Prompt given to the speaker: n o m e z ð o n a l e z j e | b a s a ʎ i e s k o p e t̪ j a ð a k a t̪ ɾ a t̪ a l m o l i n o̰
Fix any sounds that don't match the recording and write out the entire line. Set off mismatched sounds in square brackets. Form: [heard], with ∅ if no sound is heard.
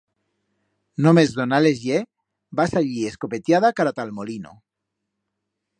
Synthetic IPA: n o m e z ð o n a l e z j e | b a s a ʎ i e s k o p e t̪ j a ð a k a [∅] ɾ a t̪ a l m o l i n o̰